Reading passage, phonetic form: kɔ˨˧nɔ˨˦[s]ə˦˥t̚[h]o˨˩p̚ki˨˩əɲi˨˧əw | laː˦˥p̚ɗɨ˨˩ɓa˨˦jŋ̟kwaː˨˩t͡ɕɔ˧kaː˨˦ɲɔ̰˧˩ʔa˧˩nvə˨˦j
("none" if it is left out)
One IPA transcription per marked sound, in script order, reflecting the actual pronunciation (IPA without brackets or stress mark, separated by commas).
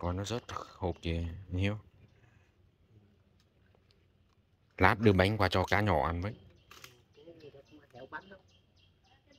z, h